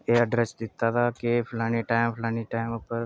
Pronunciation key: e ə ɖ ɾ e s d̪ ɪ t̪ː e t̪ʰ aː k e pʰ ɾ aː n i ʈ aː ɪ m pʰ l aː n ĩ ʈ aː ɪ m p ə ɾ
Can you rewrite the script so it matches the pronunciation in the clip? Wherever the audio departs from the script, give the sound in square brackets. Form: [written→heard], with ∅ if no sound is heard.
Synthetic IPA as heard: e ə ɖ ɾ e s d̪ ɪ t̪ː [e→a] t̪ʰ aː k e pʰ [ɾ→l] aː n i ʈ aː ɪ m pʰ l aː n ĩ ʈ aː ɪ m p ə ɾ